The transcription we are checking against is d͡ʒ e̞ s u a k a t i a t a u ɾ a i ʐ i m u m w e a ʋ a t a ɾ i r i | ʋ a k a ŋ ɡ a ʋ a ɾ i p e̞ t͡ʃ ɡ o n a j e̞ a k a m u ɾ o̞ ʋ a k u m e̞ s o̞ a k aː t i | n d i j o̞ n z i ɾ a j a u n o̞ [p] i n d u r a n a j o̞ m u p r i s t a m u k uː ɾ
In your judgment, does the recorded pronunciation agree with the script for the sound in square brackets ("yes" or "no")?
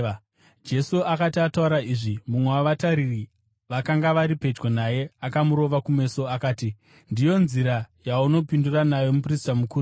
yes